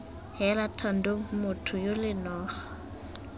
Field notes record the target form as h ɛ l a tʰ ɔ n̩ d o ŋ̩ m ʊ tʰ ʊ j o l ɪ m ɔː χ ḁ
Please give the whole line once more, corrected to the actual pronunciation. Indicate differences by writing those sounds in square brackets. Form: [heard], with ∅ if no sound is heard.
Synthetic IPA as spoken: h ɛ l a tʰ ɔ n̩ d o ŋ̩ m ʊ tʰ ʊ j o l ɪ [n] ɔː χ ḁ